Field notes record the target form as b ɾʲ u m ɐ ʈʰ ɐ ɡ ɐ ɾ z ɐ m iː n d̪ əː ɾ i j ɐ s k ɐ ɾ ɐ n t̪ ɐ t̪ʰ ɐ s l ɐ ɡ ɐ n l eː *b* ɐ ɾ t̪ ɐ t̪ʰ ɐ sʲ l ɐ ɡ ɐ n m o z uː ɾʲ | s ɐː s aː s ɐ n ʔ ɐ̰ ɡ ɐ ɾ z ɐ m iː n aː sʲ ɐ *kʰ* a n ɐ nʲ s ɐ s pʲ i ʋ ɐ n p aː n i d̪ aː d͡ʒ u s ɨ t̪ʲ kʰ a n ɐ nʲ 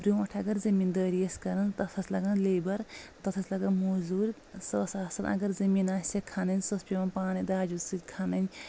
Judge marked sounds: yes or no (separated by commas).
yes, yes